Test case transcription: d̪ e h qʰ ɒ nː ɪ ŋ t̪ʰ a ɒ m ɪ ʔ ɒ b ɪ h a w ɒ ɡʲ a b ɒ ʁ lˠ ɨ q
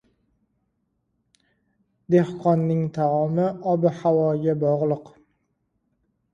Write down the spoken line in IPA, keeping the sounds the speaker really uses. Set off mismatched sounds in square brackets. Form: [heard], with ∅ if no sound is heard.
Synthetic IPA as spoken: d̪ e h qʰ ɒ nː ɪ ŋ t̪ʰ a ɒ m ɪ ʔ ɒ b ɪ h a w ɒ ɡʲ a b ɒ ʁ lˠ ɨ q